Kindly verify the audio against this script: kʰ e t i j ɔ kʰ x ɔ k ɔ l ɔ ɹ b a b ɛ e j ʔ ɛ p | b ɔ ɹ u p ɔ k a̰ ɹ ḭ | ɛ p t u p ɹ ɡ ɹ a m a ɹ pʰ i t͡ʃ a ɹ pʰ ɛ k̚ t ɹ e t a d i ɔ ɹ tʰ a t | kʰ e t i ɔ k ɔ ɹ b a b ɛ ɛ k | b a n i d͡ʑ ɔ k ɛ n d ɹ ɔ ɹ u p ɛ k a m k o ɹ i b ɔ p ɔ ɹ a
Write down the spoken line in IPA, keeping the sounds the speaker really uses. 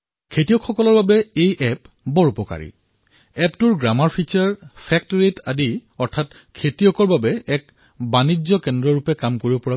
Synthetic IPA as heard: kʰ e t i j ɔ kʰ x ɔ k ɔ l ɔ ɹ b a b ɛ e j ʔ ɛ p | b ɔ ɹ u p ɔ k a̰ ɹ ḭ | ɛ p t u ɹ ɡ ɹ a m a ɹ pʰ i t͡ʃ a ɹ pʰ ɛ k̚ t ɹ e t a d i ɔ ɹ tʰ a t | kʰ e t i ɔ k ɔ ɹ b a b ɛ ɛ k | b a n i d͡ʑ ɔ k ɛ n d ɹ ɔ ɹ u p ɛ k a m k o ɹ i b ɔ p ɔ ɹ a